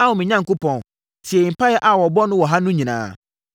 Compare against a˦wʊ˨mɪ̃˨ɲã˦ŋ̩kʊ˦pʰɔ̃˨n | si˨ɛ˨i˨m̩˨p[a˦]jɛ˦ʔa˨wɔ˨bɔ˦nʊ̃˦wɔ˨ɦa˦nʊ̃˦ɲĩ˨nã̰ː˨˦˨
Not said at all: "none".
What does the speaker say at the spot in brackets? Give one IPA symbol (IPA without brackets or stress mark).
a˦